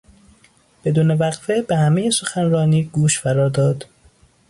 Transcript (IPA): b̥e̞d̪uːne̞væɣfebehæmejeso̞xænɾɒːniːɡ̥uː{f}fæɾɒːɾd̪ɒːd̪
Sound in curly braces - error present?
yes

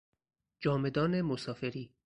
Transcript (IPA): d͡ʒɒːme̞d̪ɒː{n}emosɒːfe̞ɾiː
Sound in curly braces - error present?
no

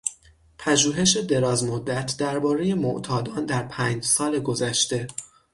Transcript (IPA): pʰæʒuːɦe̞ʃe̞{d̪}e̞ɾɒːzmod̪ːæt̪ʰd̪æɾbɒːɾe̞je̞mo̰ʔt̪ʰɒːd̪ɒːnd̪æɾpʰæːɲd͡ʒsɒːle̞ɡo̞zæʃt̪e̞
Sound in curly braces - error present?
no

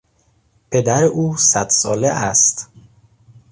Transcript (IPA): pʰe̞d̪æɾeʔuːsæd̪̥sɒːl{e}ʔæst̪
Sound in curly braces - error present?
no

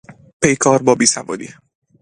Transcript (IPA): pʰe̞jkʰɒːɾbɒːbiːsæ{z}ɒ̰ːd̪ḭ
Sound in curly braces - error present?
yes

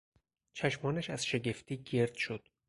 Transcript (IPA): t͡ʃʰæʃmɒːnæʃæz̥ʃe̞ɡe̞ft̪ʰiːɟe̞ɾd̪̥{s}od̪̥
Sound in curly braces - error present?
yes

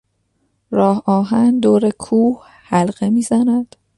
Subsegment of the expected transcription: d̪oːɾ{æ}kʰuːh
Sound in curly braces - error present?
yes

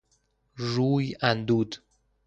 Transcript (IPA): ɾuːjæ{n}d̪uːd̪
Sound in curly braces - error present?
no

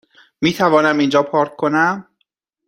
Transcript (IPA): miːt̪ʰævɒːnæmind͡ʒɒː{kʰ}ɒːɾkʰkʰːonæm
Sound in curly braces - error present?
yes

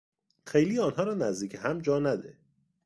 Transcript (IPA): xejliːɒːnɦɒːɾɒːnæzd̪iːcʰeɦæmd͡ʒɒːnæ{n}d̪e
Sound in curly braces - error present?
yes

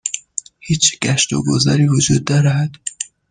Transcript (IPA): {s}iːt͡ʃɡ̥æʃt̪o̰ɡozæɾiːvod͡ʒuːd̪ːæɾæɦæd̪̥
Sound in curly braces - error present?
yes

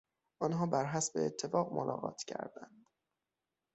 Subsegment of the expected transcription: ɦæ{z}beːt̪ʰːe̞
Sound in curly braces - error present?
yes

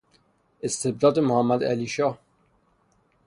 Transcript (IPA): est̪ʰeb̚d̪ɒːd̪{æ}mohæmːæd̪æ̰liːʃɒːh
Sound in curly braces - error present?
yes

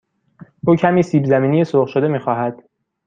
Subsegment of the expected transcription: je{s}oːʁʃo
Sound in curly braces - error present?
no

